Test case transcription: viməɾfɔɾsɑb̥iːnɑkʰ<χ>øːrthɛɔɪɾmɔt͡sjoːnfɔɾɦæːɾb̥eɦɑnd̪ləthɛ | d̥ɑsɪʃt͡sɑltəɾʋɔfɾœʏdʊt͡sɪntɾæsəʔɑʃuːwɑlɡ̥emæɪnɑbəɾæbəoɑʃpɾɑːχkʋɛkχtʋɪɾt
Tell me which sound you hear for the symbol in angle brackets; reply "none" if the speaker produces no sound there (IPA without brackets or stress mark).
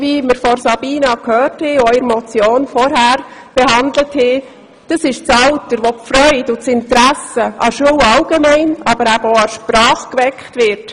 h